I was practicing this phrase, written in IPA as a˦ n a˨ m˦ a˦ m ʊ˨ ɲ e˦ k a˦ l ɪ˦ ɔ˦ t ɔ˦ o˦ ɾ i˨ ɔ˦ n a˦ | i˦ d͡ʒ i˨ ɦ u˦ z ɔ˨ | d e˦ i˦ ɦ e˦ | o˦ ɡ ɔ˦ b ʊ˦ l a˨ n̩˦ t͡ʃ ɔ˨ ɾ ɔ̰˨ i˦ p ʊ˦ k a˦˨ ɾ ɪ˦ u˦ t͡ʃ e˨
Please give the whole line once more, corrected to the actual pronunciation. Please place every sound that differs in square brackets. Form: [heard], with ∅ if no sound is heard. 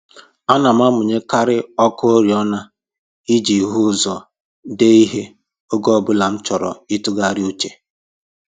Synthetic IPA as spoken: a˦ n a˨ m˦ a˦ m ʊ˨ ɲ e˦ k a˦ [ɾ] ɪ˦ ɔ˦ [k] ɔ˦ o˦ ɾ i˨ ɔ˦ n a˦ | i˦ d͡ʒ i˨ ɦ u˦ z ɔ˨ | d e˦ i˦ ɦ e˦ | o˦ ɡ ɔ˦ b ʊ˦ l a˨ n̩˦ t͡ʃ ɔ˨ ɾ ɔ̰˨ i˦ [t] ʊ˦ [ɡ] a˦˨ ɾ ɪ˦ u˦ t͡ʃ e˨